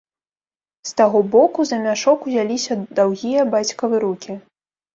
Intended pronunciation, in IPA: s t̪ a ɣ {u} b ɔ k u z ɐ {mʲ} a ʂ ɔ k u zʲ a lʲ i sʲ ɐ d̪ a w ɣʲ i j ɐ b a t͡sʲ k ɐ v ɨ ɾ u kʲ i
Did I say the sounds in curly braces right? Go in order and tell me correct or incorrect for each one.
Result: incorrect, correct

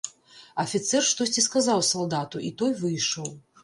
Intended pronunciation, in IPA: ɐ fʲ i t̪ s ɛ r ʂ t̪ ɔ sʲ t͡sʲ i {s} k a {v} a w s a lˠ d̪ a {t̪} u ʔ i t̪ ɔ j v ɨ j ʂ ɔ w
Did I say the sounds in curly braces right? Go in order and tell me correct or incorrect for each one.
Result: correct, incorrect, correct

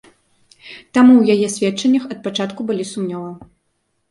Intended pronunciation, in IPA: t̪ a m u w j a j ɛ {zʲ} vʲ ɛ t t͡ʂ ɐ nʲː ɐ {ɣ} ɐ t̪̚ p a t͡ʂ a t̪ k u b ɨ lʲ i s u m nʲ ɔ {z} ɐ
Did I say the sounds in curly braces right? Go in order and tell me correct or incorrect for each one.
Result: incorrect, incorrect, incorrect

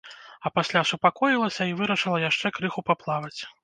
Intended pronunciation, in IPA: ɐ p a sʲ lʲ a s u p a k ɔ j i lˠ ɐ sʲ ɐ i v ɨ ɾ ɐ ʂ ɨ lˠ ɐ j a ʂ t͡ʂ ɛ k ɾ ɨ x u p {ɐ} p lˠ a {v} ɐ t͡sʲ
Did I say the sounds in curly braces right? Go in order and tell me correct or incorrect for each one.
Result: incorrect, correct

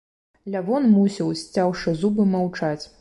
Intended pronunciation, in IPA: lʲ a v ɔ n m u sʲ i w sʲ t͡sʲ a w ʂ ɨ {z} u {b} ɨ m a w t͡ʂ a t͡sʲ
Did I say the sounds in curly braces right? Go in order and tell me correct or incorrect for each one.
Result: correct, correct

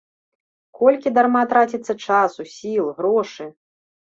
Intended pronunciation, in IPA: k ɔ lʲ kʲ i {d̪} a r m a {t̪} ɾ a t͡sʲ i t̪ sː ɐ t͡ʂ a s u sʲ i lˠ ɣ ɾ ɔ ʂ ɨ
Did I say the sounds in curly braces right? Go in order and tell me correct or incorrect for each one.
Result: correct, correct

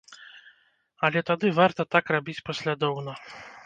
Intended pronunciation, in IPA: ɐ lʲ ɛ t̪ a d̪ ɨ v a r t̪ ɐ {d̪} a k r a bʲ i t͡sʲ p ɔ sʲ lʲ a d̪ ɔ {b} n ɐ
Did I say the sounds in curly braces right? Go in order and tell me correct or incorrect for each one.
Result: incorrect, incorrect

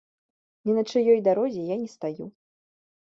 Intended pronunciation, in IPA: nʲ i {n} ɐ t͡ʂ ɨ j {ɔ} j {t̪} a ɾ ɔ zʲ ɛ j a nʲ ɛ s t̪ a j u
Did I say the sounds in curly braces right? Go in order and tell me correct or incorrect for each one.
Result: correct, correct, incorrect

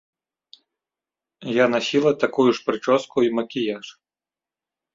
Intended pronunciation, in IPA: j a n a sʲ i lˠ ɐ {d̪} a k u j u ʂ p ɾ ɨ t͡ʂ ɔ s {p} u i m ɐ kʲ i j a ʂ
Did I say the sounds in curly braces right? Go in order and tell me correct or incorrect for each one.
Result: incorrect, incorrect

